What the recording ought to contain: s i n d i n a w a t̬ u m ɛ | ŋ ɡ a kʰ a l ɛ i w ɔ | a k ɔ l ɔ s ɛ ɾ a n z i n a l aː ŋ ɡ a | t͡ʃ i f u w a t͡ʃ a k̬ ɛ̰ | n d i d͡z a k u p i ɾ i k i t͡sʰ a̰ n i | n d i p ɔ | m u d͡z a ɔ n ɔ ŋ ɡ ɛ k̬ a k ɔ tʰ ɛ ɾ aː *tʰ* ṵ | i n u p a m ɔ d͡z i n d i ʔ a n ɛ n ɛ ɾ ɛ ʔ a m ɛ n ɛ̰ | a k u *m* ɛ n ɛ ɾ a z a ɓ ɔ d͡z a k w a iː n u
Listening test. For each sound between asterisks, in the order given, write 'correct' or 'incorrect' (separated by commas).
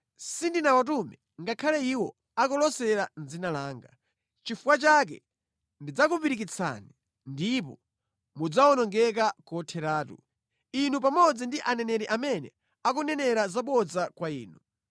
incorrect, incorrect